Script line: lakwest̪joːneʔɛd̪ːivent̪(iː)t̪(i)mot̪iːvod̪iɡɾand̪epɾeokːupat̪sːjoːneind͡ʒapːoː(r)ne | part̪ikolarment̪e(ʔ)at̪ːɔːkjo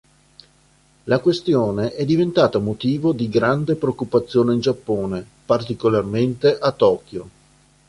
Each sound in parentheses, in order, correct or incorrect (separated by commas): incorrect, incorrect, incorrect, correct